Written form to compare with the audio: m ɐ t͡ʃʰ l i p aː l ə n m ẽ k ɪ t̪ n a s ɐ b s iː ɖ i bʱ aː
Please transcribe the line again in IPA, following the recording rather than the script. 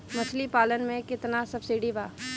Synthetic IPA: m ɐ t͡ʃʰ l i p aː l ə n m ẽ k ɪ t̪ n a s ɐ b s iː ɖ i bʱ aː